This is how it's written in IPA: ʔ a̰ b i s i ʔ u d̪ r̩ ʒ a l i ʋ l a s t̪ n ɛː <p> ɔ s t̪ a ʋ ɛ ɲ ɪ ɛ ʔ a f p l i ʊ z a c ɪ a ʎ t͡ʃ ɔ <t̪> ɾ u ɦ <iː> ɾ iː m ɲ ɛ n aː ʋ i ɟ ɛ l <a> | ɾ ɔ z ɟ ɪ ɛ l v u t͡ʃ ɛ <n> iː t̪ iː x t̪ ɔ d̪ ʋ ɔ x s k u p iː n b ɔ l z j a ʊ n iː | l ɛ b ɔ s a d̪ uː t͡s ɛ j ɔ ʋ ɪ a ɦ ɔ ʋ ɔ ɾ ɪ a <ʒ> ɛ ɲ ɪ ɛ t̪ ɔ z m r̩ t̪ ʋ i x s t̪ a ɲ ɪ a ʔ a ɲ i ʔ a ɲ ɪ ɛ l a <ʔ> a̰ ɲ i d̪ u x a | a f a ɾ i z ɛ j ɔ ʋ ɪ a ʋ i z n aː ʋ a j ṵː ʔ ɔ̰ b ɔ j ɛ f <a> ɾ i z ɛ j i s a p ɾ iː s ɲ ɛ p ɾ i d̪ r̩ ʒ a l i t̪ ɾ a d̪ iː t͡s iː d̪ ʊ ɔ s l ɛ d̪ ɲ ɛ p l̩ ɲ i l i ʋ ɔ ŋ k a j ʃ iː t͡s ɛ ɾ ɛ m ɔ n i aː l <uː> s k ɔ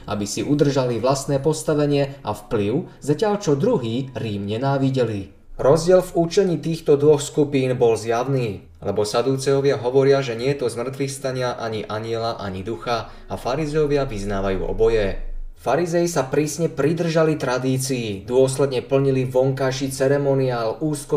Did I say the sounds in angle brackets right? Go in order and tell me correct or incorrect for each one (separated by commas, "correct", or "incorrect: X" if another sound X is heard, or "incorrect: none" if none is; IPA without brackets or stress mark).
correct, incorrect: d̪, correct, incorrect: i, incorrect: ɲ, correct, correct, correct, correct